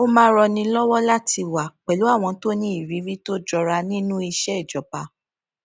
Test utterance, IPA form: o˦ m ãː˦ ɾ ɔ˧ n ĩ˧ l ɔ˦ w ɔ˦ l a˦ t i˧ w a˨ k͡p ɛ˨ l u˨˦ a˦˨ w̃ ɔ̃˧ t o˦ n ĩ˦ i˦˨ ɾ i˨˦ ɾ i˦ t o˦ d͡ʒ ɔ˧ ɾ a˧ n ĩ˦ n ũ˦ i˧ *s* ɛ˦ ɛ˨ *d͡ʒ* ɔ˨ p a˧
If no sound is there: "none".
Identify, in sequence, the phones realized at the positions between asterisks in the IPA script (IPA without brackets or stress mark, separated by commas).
ʃ, d͡ʒ